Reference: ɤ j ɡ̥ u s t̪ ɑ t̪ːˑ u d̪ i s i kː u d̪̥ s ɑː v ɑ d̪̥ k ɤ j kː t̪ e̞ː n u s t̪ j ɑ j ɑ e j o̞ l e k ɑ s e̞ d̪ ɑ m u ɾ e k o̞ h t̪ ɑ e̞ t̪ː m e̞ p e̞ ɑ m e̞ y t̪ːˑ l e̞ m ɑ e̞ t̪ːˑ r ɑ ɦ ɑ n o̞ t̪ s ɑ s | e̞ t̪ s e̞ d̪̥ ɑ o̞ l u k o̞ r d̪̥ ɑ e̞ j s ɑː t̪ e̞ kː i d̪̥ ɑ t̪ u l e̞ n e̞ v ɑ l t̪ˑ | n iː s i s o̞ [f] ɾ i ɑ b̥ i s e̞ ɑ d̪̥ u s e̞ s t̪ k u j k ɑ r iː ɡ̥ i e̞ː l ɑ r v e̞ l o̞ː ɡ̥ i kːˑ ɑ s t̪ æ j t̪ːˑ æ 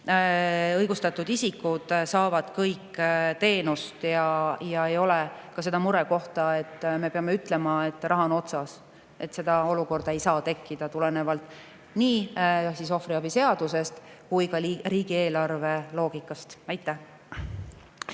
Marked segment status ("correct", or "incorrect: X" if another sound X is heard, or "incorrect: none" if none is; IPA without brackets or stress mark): correct